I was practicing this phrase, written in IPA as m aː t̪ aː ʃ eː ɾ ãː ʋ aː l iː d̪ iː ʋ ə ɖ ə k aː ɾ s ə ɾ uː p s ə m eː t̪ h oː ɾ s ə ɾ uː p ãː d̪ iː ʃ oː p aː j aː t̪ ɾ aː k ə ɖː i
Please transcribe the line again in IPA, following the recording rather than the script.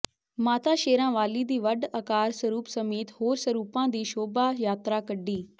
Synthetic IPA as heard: m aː t̪ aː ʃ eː ɾ ãː ʋ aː l iː d̪ iː ʋ ə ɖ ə k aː ɾ s ə ɾ uː p s ə m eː t̪ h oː ɾ s ə ɾ uː p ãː d̪ iː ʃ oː b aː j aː t̪ ɾ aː k ə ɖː iː